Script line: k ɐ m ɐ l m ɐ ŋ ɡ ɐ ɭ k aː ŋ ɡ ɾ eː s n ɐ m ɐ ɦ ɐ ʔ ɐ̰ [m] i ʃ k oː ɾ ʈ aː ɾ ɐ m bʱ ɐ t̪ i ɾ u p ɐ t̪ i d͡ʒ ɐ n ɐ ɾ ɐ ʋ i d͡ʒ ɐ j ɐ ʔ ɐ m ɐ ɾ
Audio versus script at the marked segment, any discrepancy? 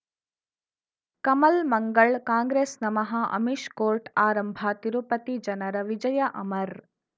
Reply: no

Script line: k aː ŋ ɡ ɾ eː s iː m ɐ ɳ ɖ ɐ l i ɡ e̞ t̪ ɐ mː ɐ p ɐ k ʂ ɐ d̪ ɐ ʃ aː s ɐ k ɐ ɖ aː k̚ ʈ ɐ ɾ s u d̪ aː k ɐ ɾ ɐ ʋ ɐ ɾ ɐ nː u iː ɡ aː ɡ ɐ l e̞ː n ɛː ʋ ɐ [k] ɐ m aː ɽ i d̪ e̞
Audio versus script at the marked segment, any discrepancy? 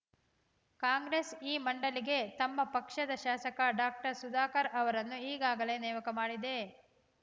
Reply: no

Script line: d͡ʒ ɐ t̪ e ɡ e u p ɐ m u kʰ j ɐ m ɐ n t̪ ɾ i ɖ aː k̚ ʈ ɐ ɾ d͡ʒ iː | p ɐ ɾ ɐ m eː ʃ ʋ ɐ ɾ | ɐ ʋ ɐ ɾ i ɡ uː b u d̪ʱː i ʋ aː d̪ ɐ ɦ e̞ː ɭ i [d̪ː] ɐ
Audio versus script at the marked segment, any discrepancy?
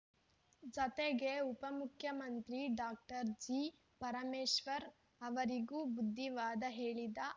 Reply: yes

